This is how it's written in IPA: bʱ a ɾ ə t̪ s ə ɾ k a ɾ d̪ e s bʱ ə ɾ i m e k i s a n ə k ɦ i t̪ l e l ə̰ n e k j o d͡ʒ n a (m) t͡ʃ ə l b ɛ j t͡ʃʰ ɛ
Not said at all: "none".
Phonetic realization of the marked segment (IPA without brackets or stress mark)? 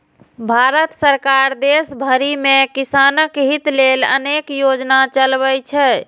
none